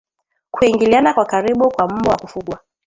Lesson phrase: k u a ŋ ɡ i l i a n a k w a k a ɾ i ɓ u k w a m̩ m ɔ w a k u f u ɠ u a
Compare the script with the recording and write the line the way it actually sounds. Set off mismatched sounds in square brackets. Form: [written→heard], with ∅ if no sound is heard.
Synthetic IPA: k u [a→i] ŋ ɡ i l i a n a k w a k a ɾ i ɓ u k w a m̩ m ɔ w a k u f u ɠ [u→w] a